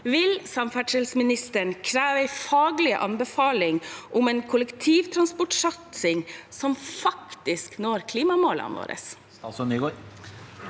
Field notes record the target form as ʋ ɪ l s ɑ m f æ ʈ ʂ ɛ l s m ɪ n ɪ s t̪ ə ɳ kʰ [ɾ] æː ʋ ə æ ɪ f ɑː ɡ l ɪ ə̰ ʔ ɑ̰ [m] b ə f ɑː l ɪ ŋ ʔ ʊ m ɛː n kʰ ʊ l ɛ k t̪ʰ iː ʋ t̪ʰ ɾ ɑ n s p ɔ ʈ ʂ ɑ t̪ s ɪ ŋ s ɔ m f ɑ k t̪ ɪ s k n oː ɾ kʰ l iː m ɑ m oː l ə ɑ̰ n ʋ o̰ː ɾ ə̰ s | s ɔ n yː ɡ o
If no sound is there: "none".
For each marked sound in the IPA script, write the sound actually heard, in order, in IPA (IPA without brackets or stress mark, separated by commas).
ɾ, n